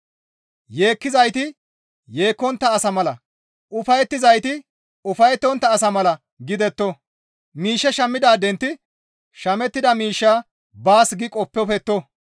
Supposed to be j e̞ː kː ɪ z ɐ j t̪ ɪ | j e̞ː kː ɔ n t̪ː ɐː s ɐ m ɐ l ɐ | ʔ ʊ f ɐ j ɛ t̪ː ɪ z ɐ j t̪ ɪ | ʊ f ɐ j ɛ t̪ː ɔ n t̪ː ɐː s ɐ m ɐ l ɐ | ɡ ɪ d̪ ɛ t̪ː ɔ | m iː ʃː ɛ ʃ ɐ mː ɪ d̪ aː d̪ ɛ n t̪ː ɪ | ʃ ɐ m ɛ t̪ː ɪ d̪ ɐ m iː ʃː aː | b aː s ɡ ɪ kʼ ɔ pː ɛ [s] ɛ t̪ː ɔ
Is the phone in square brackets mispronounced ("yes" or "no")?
yes